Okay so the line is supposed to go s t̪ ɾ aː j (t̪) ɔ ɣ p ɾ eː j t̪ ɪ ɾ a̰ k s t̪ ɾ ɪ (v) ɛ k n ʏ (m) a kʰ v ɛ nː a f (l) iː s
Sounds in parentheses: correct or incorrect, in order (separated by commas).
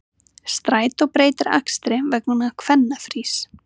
correct, correct, incorrect, incorrect